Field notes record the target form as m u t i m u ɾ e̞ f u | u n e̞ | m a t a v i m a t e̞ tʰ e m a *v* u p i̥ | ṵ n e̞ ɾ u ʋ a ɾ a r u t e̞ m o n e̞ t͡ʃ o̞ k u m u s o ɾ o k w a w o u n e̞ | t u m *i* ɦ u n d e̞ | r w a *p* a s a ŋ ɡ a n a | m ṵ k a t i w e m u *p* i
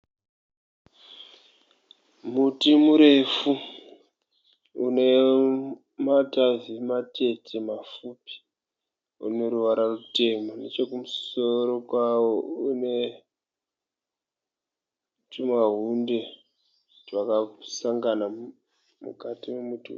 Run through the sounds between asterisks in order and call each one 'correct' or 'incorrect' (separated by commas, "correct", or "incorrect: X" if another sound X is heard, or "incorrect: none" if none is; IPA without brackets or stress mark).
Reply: incorrect: f, incorrect: a, incorrect: k, incorrect: t